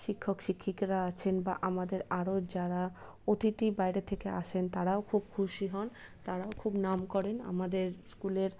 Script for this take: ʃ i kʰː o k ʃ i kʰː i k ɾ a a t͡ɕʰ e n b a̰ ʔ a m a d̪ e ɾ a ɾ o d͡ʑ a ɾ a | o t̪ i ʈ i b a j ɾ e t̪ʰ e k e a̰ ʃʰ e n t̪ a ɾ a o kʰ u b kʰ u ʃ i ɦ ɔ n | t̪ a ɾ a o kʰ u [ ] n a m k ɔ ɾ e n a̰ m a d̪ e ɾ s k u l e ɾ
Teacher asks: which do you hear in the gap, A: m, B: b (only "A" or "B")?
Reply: B